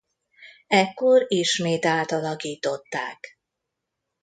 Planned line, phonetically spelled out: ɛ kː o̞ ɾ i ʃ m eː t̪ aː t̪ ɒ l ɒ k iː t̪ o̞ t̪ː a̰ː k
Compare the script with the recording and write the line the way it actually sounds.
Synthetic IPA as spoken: ɛ kː o̞ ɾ i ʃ m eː t̪ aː t̪ ɒ l ɒ k iː t̪ o̞ t̪ː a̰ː k

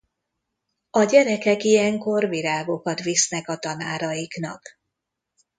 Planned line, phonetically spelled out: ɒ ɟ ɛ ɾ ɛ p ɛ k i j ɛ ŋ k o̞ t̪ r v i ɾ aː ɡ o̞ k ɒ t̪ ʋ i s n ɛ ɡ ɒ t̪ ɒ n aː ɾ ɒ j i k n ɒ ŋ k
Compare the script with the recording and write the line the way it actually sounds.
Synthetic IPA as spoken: ɒ ɟ ɛ ɾ ɛ k ɛ k i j ɛ ŋ k o̞ r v i ɾ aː ɡ o̞ k ɒ t̪ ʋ i s n ɛ k ɒ t̪ ɒ n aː ɾ ɒ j i k n ɒ k

